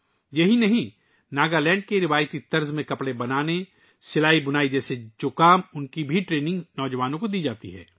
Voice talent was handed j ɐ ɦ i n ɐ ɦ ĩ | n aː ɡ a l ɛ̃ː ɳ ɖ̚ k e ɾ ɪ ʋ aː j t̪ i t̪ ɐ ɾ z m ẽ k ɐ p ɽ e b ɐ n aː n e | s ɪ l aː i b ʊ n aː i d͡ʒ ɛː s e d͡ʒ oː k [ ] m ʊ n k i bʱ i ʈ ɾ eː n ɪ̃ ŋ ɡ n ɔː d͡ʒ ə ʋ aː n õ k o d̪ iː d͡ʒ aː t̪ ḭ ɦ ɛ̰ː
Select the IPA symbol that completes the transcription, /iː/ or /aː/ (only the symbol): aː